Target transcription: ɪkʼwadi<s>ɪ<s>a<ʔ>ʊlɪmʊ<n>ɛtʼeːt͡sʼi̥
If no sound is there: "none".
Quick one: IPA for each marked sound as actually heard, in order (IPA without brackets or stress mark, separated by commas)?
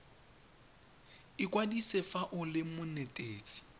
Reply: s, f, ʔ, n